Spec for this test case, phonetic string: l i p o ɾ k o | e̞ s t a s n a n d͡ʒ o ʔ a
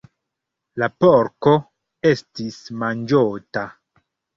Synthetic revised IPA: l a p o ɾ k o | e̞ s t i s m a n d͡ʒ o t a